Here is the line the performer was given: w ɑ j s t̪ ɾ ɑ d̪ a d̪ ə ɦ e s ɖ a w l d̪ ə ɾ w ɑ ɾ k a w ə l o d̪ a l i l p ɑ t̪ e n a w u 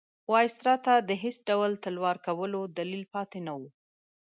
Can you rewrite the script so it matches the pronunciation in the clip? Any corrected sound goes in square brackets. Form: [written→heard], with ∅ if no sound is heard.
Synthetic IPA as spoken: w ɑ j s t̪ ɾ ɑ [d̪→t̪] a d̪ ə ɦ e s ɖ a w l [d̪→t̪] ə [ɾ→l] w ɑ ɾ k a w ə l o d̪ a l i l p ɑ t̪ e n a w u

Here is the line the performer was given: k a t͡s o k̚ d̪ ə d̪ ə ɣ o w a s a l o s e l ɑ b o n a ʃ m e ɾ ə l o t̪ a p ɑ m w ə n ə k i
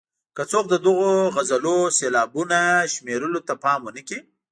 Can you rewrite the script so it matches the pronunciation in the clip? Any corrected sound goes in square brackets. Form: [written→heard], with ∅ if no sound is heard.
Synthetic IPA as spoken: k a t͡s o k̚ d̪ ə d̪ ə ɣ o [w→ɣ] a [s→z] a l o s e l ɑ b [o→u] n a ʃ m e ɾ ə l o t̪ a p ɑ m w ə n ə k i

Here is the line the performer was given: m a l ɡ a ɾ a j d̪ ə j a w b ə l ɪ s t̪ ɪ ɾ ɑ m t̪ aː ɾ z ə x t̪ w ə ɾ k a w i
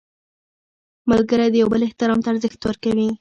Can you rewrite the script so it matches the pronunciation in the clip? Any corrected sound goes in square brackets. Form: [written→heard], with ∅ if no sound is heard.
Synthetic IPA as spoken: m a l ɡ [a→ə] ɾ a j d̪ ə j a w b ə l ɪ [s→h] t̪ ɪ ɾ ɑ m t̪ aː ɾ z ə x t̪ w ə ɾ k a w i

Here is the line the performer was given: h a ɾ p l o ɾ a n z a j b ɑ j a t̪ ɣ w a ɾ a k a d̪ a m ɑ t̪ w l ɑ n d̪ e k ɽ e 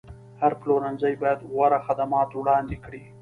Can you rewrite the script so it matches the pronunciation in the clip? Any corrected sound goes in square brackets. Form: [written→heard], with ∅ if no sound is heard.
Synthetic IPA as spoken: h a ɾ p l o ɾ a n z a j b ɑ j a [t̪→d̪] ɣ w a ɾ a [k→x] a d̪ a m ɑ t̪ w [l→ɽ] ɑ n d̪ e k ɽ [e→i]

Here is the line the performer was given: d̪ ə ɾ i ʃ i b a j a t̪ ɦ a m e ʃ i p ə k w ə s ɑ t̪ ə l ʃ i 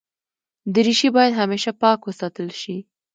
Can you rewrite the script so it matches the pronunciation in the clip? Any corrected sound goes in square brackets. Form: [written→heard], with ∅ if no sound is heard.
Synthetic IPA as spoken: d̪ ə ɾ i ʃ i b [a→ɑ] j a [t̪→d̪] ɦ a m e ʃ [i→a] p [ə→ɑ] k w ə s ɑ t̪ ə l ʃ i

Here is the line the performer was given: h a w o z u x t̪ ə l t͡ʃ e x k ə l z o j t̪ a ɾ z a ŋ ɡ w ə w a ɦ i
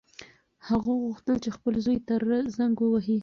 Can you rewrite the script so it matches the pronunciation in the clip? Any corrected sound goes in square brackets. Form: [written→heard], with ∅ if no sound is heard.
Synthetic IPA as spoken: h a [w→ɣ] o [z→ɣ] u x t̪ ə l t͡ʃ e x [k→p] ə l z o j t̪ a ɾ z a ŋ ɡ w ə w a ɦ i

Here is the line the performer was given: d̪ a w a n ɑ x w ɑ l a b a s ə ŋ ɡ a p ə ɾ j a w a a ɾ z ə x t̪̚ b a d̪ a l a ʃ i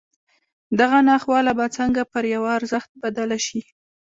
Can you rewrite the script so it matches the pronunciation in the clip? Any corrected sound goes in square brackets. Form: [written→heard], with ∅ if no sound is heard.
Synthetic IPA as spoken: d̪ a [w→ɣ] a n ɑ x w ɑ l a b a [s→t͡s] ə ŋ ɡ a p ə ɾ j a w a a ɾ z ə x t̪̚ b a d̪ a l a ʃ i

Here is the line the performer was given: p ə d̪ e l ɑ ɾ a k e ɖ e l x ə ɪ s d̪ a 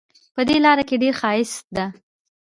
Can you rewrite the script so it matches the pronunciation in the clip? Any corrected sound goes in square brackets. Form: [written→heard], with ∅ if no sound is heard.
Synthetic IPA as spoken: p ə d̪ e l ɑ ɾ a k e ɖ e [l→ɾ] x [ə→ɑ] ɪ s d̪ a

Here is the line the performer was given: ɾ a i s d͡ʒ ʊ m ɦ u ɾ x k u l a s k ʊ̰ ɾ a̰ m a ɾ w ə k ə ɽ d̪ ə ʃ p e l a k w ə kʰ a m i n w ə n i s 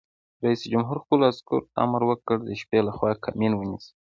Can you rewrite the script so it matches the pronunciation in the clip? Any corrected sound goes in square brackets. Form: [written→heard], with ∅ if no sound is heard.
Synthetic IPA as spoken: ɾ a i s d͡ʒ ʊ m ɦ u ɾ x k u l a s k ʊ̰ ɾ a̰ m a ɾ w ə k ə ɽ d̪ ə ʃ p e l a [k→x] w [ə→ɑ] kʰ a m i n w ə n i s

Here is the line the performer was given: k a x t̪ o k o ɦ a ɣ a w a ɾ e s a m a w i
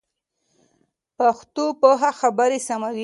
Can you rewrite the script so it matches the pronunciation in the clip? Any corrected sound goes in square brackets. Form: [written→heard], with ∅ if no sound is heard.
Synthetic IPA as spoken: [k→p] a x t̪ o [k→p] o ɦ a [ɣ→x] a [w→b] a ɾ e s a m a w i

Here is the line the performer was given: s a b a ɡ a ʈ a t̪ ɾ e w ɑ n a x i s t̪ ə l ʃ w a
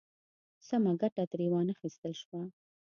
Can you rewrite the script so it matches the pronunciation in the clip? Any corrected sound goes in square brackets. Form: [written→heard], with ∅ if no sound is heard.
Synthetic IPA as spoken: s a [b→m] a ɡ a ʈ a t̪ ɾ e w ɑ n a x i s t̪ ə l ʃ w a

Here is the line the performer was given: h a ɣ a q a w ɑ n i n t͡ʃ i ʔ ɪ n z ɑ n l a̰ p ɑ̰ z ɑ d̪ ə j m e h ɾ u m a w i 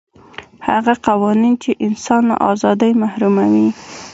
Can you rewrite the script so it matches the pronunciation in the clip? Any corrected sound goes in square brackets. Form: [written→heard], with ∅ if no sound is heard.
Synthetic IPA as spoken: h a ɣ a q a w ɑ n i n t͡ʃ [i→e] ʔ ɪ n [z→s] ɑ n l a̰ [p→ʔ] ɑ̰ z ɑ d̪ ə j m [e→a] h ɾ u m a w i

